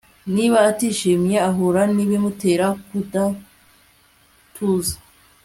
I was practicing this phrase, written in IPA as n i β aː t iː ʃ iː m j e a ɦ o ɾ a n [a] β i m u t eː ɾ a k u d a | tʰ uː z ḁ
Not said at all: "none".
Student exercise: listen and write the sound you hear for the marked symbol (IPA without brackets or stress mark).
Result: i